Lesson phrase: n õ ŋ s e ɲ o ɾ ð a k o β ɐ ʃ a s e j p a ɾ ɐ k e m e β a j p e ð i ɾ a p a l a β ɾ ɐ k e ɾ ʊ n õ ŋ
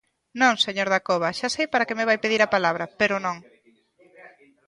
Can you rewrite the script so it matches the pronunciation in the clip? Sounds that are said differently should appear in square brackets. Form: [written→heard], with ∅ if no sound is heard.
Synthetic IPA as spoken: n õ ŋ s e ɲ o ɾ ð a k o β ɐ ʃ a s e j p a ɾ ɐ k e m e β a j p e ð i ɾ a p a l a β ɾ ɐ [k→p] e ɾ ʊ n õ ŋ